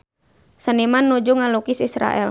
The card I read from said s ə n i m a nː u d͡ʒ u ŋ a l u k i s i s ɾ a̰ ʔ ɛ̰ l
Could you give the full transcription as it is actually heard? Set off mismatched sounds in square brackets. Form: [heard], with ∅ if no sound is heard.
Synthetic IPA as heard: s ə n i m a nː u d͡ʒ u ŋ a l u k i s i s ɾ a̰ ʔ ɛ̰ l